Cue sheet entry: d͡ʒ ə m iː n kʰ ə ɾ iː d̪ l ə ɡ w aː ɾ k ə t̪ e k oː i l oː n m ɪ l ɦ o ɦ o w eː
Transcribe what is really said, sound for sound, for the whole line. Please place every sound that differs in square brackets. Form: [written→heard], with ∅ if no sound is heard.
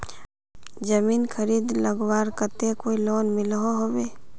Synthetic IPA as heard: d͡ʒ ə m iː n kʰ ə ɾ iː d̪ l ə ɡ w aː ɾ k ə t̪ e k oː i l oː n m ɪ l ɦ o ɦ o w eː